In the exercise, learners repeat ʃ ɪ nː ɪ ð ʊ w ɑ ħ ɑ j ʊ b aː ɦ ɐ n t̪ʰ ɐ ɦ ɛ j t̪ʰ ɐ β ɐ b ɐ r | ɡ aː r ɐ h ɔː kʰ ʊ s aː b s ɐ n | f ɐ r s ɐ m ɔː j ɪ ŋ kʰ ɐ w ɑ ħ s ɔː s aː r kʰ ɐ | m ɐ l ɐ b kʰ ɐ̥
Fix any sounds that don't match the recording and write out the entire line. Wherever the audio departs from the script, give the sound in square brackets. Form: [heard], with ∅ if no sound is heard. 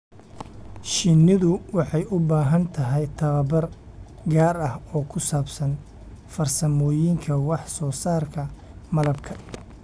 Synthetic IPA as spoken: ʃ ɪ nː ɪ ð ʊ w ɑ ħ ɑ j ʊ b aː ɦ ɐ n t̪ʰ ɐ ɦ ɛ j t̪ʰ ɐ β ɐ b ɐ r | ɡ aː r ɐ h ɔː kʰ ʊ s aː b s ɐ n | f ɐ r s ɐ m ɔː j ɪ ŋ kʰ ɐ w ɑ ħ s ɔː s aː r kʰ ɐ | m ɐ l ɐ b kʰ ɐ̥